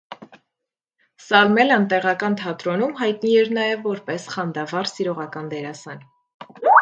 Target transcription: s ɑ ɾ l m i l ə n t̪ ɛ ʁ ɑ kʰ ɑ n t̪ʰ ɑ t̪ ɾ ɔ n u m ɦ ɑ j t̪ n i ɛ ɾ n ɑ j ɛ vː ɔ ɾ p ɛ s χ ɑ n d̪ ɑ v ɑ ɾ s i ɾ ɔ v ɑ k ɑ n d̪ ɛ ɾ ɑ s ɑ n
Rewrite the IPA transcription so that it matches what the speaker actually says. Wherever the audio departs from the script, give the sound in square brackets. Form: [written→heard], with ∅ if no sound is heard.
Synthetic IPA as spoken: s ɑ [ɾ→∅] l m [i→ɛ] l ə n t̪ ɛ ʁ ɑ [kʰ→k] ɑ n t̪ʰ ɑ t̪ ɾ ɔ n u m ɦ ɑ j t̪ n i ɛ ɾ n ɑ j ɛ vː ɔ ɾ p ɛ s χ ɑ n d̪ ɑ v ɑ ɾ s i ɾ ɔ [v→ʁ] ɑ k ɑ n d̪ ɛ ɾ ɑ s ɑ n

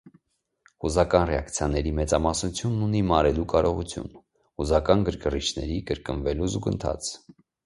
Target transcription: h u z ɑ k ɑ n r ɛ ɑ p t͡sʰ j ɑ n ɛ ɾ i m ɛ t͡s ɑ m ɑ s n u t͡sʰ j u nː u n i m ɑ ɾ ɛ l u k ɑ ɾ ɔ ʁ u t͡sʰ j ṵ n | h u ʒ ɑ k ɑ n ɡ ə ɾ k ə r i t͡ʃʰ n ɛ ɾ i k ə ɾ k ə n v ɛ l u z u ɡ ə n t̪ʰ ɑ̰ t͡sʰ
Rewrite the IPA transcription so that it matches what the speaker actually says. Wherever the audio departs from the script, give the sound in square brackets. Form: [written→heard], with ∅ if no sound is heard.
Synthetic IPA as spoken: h u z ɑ k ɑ n r ɛ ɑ [p→k] t͡sʰ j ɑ n ɛ ɾ i m ɛ t͡s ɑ m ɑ s n u t͡sʰ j u nː u n i m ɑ ɾ ɛ l u k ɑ ɾ ɔ ʁ u t͡sʰ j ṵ n | h u [ʒ→z] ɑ k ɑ n ɡ ə ɾ k ə r i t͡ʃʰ n ɛ ɾ i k ə ɾ k ə n v ɛ l u z u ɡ ə n t̪ʰ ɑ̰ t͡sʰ

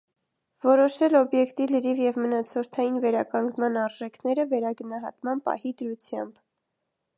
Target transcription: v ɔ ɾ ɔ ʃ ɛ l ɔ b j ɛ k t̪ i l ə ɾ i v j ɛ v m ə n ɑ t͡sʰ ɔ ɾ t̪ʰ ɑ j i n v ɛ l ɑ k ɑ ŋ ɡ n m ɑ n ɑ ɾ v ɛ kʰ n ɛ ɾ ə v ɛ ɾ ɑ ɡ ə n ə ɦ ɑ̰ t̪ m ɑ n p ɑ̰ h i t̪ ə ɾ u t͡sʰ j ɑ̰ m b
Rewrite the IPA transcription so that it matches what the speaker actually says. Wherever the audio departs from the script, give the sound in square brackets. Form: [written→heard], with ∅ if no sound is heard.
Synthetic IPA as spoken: v ɔ ɾ ɔ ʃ ɛ l ɔ b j ɛ k t̪ i l ə ɾ i v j ɛ v m ə n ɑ t͡sʰ ɔ ɾ t̪ʰ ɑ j i n v ɛ [l→ɾ] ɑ k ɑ ŋ ɡ n m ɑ n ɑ ɾ [v→ʒ] ɛ kʰ n ɛ ɾ ə v ɛ ɾ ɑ ɡ ə n [ə→ɑ] ɦ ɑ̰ t̪ m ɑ n p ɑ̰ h i [t̪→d̪] ə ɾ u t͡sʰ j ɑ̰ m b

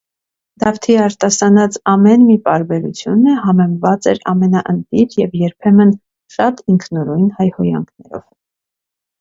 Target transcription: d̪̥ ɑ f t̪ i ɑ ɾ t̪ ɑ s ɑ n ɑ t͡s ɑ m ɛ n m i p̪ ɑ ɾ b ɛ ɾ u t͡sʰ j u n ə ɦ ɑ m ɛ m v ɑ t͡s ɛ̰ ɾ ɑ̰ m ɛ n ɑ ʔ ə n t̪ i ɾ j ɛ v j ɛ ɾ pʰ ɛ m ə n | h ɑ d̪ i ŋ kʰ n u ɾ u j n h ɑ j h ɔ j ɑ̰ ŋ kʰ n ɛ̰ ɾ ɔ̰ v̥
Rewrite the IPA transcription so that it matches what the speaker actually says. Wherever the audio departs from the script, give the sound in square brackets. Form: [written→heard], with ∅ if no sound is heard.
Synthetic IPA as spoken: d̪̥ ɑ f [t̪→t̪ʰ] i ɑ ɾ t̪ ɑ s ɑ n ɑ t͡s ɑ m ɛ n m i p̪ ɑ ɾ b ɛ ɾ u t͡sʰ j u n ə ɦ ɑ m ɛ m v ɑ t͡s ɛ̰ ɾ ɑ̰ m ɛ n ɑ ʔ ə n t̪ i ɾ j ɛ v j ɛ ɾ pʰ ɛ m ə n | [h→ʃ] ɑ [d̪→t̪] i ŋ kʰ n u ɾ u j n h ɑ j h ɔ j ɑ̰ ŋ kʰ n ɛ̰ ɾ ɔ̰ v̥

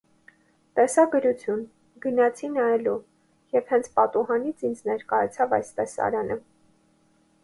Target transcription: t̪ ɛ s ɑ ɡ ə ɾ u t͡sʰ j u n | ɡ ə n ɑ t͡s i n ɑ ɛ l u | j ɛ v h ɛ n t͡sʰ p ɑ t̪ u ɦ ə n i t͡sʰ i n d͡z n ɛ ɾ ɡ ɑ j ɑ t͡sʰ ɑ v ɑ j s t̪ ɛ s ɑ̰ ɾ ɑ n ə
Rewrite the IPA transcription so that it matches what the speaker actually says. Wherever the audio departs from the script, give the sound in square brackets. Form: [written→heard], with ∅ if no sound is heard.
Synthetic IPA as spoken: t̪ ɛ s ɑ ɡ ə ɾ u t͡sʰ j u n | ɡ ə n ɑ [t͡s→t͡sʰ] i n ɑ ɛ l u | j ɛ v h ɛ n t͡sʰ p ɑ t̪ u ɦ [ə→ɑ] n i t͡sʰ i n d͡z n ɛ ɾ [ɡ→k] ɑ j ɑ t͡sʰ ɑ v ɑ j s t̪ ɛ s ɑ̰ ɾ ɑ n ə

